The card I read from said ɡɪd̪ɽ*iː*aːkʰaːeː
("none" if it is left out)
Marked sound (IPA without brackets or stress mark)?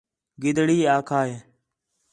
iː